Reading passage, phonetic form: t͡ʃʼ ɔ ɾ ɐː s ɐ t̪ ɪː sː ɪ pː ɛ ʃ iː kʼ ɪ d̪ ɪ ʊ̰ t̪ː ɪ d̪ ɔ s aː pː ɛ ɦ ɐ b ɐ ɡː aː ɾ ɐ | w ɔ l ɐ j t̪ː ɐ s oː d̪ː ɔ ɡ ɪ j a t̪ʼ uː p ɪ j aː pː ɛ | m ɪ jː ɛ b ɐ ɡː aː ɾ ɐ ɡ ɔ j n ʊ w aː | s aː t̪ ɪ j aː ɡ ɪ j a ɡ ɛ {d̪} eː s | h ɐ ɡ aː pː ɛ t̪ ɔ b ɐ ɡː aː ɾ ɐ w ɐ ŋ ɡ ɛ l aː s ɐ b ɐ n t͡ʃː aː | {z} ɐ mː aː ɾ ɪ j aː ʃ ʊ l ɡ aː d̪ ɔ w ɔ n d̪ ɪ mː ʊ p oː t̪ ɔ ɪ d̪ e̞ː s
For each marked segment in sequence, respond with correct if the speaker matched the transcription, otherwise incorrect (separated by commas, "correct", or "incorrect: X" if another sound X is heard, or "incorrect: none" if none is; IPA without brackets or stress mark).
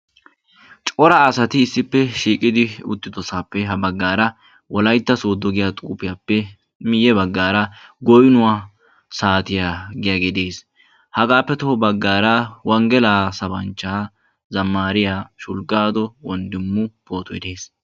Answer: correct, correct